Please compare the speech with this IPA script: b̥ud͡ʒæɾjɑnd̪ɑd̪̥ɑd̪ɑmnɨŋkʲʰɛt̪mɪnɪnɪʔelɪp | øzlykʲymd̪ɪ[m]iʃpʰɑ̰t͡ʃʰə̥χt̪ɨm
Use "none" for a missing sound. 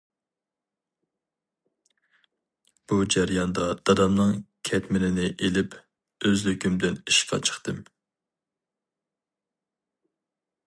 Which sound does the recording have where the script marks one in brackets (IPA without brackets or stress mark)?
n